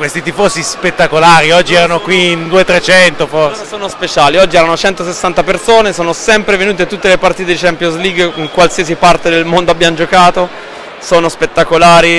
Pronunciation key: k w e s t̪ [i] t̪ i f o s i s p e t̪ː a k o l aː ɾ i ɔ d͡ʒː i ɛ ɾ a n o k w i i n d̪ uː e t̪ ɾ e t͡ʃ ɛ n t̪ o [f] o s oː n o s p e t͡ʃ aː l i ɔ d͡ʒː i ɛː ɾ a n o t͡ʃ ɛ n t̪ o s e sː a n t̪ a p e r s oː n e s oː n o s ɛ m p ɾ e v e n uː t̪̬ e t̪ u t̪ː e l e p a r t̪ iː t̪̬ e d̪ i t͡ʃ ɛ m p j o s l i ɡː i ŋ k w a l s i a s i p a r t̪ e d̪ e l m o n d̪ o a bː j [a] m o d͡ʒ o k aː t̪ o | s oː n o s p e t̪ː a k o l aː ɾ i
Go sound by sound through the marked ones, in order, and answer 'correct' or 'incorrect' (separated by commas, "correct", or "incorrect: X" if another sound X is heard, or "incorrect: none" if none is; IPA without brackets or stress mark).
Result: correct, correct, correct